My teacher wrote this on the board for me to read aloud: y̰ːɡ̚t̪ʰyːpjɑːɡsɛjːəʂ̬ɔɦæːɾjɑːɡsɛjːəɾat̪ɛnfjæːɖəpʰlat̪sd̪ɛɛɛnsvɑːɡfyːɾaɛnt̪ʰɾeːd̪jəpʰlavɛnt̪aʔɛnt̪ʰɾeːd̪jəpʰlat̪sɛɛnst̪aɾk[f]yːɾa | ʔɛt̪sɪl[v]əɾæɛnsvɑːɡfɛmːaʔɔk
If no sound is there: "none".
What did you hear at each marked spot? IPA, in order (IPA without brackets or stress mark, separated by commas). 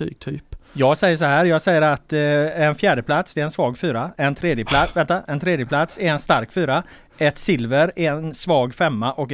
f, v